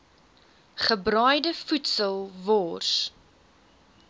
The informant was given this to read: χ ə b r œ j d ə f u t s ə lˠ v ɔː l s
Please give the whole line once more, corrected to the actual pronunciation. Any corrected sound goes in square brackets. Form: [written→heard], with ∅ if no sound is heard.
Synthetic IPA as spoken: χ ə b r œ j d ə f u t s ə lˠ v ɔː [l→r] s